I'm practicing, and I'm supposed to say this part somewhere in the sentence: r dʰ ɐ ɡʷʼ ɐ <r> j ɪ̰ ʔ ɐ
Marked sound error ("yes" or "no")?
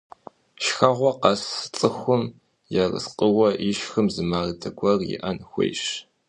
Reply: no